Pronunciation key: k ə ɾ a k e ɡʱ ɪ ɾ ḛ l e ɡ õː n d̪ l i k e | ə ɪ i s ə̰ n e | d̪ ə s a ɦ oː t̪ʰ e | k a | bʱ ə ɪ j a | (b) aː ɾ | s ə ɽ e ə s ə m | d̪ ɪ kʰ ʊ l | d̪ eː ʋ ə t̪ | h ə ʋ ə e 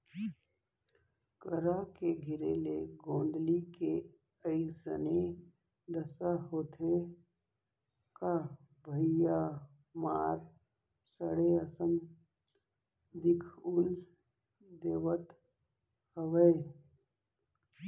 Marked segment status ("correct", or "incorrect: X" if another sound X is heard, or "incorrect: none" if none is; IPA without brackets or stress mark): incorrect: m